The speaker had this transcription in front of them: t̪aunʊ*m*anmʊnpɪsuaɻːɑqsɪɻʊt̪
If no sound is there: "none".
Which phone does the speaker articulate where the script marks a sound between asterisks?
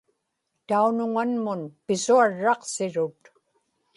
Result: ŋ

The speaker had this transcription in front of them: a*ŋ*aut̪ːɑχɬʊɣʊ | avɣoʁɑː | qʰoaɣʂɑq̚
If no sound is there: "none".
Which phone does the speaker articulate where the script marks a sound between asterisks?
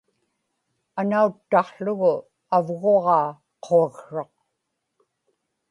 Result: n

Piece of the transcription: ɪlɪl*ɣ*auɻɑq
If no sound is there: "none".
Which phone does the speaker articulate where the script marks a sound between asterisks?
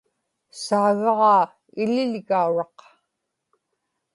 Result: ɣ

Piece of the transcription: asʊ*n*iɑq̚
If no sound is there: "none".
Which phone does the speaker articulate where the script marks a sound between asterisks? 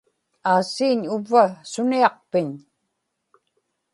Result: n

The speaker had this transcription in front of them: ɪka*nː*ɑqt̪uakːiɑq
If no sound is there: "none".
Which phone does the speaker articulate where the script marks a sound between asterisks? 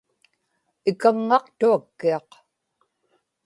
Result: ŋː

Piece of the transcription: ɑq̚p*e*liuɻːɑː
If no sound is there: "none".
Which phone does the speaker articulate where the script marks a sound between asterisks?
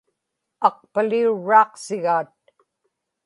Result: a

